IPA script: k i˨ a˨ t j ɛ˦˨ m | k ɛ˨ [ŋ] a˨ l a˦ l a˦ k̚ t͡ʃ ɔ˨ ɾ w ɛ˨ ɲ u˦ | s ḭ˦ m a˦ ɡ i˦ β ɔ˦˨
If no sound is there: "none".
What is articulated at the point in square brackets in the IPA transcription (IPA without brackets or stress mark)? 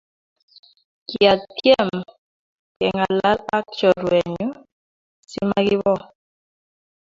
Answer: ŋ